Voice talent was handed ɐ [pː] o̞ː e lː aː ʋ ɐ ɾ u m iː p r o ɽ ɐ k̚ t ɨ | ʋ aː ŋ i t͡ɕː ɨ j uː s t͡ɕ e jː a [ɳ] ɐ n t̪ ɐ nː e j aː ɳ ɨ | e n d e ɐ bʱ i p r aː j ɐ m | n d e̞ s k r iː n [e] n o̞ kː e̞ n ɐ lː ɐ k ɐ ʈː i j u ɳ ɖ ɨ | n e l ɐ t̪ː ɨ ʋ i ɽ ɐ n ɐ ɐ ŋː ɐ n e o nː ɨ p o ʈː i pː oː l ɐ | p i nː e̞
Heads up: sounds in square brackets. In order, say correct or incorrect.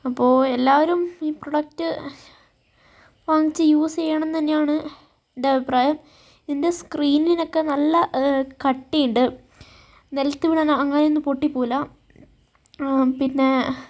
correct, correct, incorrect: i

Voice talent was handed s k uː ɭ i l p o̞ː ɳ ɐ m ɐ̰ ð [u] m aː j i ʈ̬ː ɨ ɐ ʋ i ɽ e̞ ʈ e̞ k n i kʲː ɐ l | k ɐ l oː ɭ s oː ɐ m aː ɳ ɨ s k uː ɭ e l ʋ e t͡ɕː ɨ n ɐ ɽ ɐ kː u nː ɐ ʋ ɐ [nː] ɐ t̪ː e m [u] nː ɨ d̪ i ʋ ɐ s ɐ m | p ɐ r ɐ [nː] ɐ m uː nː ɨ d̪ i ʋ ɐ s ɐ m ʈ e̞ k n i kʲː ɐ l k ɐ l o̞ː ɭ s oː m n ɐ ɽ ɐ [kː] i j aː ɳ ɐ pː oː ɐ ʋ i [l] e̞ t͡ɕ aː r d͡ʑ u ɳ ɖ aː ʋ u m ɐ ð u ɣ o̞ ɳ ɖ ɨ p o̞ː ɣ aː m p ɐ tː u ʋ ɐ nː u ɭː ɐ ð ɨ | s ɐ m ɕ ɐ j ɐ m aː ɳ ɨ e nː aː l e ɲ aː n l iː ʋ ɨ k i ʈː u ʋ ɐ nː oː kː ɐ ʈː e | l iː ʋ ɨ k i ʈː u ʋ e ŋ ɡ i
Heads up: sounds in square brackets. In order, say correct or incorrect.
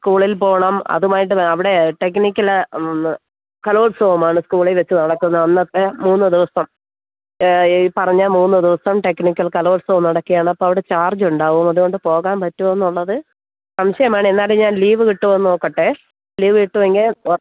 correct, correct, incorrect: uː, incorrect: ɲː, correct, incorrect: ɽ

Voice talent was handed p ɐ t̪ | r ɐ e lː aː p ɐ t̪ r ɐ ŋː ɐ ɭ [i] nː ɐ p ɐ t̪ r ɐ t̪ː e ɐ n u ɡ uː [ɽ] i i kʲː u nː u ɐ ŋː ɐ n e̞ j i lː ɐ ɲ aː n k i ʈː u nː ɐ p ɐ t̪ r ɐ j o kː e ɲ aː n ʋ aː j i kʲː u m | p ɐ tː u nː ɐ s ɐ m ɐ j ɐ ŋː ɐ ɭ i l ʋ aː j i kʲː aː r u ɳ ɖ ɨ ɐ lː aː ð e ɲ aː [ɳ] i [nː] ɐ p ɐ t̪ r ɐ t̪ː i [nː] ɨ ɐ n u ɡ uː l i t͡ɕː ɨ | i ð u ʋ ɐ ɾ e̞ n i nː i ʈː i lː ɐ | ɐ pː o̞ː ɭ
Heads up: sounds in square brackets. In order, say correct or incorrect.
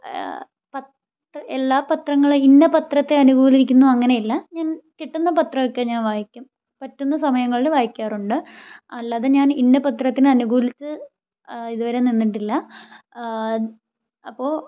correct, incorrect: l, incorrect: n, correct, incorrect: n

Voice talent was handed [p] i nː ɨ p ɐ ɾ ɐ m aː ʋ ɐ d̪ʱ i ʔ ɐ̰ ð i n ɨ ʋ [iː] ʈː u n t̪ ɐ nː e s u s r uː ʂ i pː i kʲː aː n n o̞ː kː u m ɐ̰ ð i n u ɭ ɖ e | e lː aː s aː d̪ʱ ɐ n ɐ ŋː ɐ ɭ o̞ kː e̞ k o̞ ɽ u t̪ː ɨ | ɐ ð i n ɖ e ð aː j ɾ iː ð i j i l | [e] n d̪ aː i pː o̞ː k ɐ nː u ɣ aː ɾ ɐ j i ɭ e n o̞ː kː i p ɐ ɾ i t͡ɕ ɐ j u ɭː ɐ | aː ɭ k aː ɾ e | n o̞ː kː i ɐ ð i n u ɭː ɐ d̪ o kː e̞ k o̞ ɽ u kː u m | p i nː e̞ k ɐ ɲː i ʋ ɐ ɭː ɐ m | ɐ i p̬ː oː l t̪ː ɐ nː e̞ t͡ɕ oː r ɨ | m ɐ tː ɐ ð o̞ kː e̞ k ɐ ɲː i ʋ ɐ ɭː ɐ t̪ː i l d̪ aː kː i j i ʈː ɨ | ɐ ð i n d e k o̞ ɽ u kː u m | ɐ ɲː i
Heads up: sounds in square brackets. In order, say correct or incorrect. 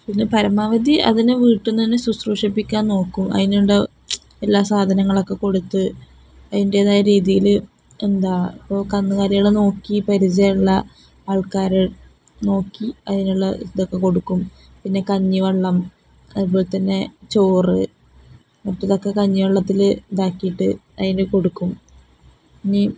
correct, correct, correct

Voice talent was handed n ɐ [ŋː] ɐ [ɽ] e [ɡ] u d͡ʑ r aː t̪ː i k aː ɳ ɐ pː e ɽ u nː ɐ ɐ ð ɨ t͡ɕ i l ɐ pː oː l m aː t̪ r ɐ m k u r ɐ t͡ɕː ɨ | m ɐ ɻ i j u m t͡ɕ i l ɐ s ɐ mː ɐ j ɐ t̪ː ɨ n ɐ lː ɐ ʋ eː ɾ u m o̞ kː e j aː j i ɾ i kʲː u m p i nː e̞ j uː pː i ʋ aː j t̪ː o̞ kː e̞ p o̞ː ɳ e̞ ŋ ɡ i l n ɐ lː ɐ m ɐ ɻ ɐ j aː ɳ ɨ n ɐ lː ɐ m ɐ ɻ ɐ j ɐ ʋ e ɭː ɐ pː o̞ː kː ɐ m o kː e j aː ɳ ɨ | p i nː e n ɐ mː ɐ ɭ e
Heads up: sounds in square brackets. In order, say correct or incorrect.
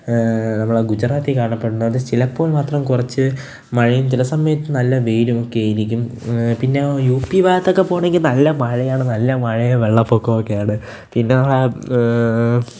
incorrect: mː, incorrect: ɭ, correct

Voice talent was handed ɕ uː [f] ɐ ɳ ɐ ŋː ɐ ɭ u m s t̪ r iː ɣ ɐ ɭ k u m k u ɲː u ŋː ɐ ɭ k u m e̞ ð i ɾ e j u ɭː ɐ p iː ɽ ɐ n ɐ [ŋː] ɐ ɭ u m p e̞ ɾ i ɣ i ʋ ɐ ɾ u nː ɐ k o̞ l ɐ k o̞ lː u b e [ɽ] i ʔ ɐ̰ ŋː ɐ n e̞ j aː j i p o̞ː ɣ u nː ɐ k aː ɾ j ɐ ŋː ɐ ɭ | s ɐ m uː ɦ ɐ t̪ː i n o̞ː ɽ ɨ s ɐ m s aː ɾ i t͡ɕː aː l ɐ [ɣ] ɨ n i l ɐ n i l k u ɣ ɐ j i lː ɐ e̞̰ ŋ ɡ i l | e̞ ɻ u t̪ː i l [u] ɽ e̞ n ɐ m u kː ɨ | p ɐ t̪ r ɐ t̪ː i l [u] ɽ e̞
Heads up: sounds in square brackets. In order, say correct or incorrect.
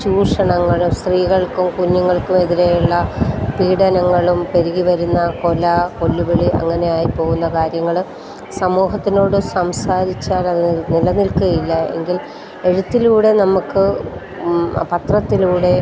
incorrect: ʂ, correct, incorrect: ɭ, incorrect: ð, incorrect: uː, incorrect: uː

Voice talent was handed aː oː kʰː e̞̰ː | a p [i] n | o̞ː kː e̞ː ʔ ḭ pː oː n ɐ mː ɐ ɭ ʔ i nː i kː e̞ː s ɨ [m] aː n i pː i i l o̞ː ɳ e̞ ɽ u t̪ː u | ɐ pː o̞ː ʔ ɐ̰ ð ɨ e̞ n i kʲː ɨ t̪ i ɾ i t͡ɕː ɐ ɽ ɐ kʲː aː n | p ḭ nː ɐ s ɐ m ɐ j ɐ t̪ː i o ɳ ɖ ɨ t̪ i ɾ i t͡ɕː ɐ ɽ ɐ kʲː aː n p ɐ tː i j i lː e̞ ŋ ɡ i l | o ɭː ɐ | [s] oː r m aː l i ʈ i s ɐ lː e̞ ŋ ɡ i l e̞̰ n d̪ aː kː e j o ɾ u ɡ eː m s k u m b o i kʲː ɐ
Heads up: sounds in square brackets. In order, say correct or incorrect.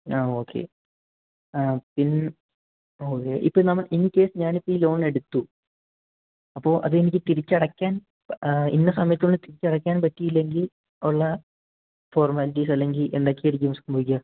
correct, incorrect: ɲ, incorrect: f

